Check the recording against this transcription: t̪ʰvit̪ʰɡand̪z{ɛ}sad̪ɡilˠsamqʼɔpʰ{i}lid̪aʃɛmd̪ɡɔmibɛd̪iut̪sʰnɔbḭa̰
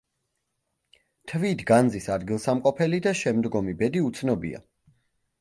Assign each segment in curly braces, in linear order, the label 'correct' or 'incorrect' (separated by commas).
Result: incorrect, incorrect